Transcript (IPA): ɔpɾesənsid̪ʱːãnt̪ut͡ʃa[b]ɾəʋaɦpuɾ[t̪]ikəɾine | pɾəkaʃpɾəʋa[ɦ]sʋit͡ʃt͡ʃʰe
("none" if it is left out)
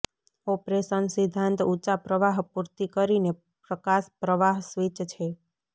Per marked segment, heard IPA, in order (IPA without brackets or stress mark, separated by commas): p, t̪, ɦ